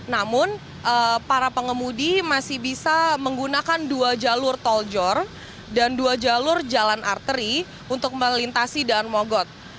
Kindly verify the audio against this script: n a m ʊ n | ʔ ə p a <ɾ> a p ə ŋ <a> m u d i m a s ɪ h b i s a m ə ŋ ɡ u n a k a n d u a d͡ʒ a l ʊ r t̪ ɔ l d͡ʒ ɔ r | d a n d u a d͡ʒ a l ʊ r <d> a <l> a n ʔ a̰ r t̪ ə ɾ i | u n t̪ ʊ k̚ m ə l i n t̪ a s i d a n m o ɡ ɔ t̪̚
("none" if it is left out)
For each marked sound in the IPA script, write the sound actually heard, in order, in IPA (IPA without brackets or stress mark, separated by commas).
ɾ, ə, d͡ʒ, l